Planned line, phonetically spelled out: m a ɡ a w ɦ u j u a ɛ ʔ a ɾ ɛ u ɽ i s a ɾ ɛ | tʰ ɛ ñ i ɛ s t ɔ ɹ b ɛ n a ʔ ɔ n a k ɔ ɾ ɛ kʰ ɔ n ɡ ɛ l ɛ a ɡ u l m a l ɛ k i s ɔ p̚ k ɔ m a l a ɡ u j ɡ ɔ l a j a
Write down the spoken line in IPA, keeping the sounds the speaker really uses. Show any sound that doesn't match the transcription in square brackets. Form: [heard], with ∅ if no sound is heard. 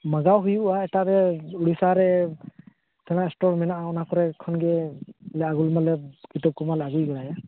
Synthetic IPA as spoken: m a ɡ a w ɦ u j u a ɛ [t] a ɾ ɛ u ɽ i s a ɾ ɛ | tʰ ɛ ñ [a] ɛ s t ɔ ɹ [m] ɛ n a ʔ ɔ n a k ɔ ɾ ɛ kʰ ɔ n ɡ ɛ l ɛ a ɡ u l m a l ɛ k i [t] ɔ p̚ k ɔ m a l a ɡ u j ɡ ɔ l a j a